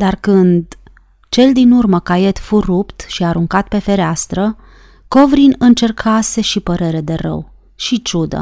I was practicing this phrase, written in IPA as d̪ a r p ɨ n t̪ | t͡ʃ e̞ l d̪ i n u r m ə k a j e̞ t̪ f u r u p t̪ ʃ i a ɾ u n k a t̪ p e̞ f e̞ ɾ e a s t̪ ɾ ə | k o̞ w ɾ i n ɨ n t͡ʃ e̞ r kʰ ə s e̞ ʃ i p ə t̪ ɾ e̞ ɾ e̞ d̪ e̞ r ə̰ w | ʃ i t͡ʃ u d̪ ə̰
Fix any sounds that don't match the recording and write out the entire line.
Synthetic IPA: d̪ a r k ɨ n d̪ | t͡ʃ e̞ l d̪ i n u r m ə k a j e̞ t̪ f u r u p t̪ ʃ i a ɾ u ŋ k a t̪ p e̞ f e̞ ɾ e a s t̪ ɾ ə | k o̞ v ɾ i n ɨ n t͡ʃ e̞ r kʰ a s e̞ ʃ i p ə ɾ e̞ ɾ e̞ d̪ e̞ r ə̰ w | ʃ i t͡ʃ u d̪ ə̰